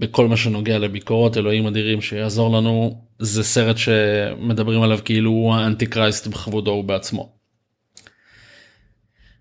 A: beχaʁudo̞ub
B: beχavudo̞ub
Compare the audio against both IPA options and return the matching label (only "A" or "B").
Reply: B